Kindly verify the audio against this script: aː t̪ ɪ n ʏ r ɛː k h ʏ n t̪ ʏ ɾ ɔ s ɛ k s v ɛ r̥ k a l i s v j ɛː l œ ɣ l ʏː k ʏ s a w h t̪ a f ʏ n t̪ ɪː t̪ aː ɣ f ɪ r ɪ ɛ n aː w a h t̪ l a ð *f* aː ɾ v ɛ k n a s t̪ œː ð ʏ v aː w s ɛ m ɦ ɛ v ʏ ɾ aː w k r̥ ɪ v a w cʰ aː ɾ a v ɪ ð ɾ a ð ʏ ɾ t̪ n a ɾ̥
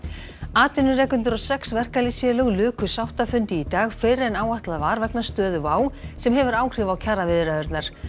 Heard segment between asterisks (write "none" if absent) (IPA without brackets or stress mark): v